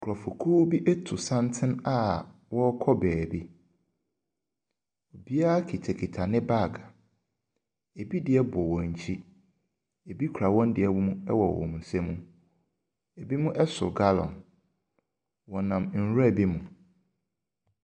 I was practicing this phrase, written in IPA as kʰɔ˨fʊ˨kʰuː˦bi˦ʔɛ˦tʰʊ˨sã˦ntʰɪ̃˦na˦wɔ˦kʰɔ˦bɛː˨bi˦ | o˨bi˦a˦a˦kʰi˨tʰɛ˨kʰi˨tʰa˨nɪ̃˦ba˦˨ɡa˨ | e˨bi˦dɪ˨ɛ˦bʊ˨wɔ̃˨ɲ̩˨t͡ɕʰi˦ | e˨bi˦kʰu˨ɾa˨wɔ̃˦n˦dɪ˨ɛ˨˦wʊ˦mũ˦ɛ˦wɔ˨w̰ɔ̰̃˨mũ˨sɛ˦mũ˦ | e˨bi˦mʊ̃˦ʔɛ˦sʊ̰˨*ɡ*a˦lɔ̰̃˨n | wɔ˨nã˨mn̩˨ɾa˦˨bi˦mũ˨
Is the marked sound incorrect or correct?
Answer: correct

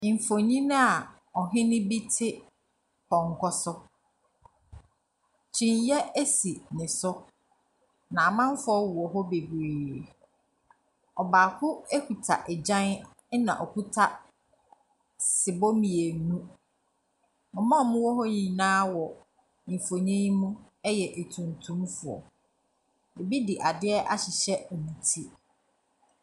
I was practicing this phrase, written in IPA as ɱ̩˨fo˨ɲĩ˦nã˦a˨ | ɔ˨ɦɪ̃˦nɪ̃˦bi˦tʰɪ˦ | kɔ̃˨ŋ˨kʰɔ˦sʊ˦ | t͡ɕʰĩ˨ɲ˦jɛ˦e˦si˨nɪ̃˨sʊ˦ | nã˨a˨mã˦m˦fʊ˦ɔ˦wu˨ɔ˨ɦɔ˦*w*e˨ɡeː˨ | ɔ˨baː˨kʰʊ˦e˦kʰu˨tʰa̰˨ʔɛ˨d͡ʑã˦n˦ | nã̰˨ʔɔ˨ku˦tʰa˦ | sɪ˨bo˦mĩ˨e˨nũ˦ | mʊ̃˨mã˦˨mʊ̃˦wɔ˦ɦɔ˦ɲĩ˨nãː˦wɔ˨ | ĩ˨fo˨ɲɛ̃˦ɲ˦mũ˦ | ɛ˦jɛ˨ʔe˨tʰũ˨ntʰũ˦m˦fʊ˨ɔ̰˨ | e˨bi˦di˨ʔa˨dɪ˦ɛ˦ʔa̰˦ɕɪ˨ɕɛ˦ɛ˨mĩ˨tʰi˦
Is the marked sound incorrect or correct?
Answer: incorrect: b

